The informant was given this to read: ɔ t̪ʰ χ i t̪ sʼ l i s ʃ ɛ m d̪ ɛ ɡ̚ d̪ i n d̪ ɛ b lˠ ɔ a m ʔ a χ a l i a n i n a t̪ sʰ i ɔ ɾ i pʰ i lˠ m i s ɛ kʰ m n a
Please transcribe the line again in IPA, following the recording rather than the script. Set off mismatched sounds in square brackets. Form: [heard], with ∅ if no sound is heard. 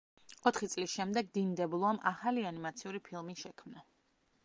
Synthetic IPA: ɔ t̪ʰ χ i t̪ sʼ l i s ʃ ɛ m d̪ ɛ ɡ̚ d̪ i n d̪ ɛ b lˠ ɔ a m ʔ a χ a l i a n i [m] a t̪ sʰ i [u] ɾ i pʰ i lˠ m i [ʃ] ɛ kʰ m n a